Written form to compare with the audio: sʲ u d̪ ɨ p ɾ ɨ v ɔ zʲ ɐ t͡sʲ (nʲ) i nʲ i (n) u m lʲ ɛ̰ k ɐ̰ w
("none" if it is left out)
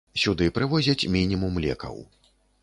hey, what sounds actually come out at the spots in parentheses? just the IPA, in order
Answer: mʲ, m

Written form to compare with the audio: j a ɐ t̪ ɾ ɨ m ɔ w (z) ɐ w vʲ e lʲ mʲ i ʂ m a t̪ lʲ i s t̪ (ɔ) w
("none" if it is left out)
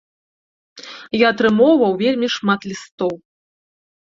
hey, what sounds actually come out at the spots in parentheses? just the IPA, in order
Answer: v, ɔ

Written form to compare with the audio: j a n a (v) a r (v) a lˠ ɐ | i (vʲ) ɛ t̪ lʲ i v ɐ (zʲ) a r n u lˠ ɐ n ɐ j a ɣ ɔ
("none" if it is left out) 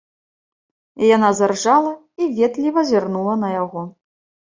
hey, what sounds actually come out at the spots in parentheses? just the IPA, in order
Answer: z, ʐ, vʲ, zʲ

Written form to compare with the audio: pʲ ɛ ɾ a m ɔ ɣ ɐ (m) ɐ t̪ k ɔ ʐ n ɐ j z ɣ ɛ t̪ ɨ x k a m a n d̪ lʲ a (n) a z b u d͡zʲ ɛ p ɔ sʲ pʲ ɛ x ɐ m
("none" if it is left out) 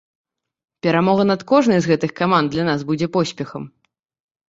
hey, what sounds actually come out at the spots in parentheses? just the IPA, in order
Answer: n, n

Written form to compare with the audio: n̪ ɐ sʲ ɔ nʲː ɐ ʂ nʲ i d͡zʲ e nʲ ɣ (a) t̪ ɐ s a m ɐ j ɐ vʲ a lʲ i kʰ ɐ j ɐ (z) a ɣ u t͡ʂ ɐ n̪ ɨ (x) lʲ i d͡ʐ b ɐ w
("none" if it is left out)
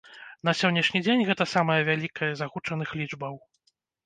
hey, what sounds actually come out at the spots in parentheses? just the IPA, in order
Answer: ɛ, z, x

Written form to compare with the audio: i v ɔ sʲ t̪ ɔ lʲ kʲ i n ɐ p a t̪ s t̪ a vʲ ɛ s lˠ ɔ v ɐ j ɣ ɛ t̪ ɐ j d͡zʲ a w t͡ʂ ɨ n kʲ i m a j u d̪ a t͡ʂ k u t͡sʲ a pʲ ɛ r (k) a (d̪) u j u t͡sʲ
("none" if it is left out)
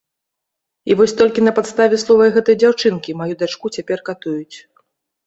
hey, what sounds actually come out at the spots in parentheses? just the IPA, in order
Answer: k, t̪

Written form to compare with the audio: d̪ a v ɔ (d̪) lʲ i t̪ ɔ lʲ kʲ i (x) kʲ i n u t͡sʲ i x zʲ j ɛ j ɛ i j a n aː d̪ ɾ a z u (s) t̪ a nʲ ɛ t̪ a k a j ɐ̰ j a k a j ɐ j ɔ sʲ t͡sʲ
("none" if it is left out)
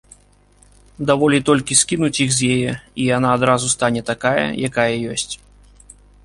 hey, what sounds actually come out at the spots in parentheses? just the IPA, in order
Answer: none, s, s

